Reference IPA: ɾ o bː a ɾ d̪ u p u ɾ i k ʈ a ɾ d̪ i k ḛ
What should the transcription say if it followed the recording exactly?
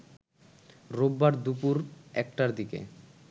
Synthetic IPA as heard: ɾ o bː a ɾ d̪ u p u ɾ ɛ k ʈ a ɾ d̪ i k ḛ